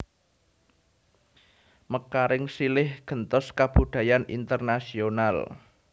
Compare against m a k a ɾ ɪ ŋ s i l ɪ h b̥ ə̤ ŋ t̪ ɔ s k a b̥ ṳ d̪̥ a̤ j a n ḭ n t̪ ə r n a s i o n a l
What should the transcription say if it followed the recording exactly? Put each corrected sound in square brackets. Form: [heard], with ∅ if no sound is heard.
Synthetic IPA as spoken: m [ə] k a ɾ ɪ ŋ s i l ɪ h [ɡ̥] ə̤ [n] t̪ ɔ s k a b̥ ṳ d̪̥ a̤ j a n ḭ n t̪ ə r n a s i o n a l

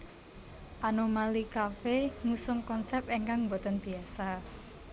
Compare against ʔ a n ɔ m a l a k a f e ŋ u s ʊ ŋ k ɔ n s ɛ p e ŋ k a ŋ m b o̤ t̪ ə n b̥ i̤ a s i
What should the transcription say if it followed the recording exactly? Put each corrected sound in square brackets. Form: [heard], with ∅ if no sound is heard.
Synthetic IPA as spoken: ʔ a n [o] m a l [i] k a f e ŋ u s ʊ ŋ k ɔ n s ɛ p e ŋ k a ŋ m b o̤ t̪ ə n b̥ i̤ a s [a]

